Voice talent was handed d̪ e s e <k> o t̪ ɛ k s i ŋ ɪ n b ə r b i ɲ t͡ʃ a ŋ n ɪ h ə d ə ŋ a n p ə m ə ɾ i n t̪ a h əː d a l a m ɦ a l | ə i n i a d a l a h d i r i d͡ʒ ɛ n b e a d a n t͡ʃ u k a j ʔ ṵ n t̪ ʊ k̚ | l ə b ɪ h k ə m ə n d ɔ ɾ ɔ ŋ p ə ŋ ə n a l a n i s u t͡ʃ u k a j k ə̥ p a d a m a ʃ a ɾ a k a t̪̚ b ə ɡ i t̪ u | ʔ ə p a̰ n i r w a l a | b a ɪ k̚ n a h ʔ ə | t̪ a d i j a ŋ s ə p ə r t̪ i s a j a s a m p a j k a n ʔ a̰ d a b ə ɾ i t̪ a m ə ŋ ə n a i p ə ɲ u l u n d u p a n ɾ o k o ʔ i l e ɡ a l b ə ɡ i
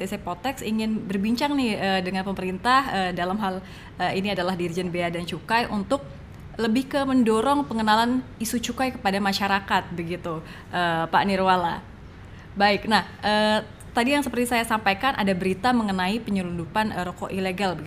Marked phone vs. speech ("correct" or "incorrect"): incorrect